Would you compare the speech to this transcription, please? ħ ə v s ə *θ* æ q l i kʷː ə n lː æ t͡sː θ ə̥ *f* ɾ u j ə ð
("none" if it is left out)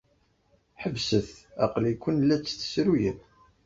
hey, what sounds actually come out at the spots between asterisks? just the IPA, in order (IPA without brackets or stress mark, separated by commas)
θ, s